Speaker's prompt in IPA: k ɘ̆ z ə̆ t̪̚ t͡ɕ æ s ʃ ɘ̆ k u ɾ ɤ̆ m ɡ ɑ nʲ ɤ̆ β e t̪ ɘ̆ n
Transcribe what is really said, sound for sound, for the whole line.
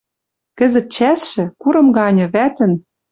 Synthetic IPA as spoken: k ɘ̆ z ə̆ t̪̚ t͡ɕ æ s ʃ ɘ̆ k u ɾ ɤ̆ m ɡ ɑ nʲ ɤ̆ β æ t̪ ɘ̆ n